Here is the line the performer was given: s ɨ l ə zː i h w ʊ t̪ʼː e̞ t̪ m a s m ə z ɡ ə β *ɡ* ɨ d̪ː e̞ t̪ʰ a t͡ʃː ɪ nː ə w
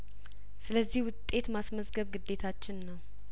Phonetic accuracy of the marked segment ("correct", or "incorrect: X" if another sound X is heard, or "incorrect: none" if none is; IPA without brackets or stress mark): correct